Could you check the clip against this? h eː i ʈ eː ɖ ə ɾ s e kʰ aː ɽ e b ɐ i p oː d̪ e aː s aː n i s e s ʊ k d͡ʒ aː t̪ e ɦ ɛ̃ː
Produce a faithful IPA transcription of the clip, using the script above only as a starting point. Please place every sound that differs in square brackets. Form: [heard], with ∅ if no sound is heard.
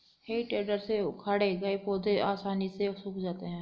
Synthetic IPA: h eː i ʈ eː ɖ ə ɾ s e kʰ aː ɽ e [ɡ] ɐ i p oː d̪ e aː s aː n i s e s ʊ k d͡ʒ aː t̪ e ɦ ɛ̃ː